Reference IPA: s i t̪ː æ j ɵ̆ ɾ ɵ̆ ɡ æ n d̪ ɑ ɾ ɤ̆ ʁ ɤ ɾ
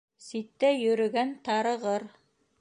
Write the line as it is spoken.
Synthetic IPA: s i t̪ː æ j ɵ̆ ɾ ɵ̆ ɡ æ n t̪ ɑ ɾ ɤ̆ ʁ ɤ ɾ